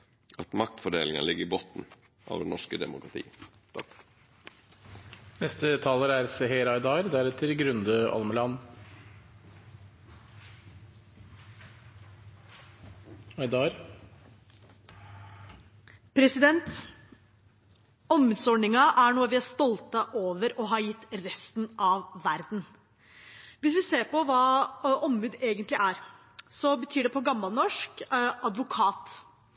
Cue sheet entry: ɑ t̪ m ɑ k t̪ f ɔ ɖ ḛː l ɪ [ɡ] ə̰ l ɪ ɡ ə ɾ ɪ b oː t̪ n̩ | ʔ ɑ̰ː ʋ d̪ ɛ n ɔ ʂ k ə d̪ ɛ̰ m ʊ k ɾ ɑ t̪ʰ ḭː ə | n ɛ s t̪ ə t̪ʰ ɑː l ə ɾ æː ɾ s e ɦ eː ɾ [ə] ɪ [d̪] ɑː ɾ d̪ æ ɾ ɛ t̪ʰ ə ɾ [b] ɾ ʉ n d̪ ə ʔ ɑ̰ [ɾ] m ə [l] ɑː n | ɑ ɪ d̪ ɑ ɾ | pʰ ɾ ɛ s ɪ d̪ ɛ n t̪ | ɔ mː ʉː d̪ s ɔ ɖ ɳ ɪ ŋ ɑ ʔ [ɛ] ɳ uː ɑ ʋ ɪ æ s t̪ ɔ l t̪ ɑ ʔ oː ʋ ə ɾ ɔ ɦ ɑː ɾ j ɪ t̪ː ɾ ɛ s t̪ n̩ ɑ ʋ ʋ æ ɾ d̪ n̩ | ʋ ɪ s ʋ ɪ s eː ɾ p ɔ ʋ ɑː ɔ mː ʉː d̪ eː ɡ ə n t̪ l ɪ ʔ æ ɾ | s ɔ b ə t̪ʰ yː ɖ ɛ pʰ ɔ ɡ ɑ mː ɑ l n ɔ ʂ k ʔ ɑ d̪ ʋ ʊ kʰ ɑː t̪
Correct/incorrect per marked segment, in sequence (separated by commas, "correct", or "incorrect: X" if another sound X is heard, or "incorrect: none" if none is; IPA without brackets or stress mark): incorrect: ŋ, incorrect: ɑ, correct, incorrect: ɡ, incorrect: l, correct, incorrect: æ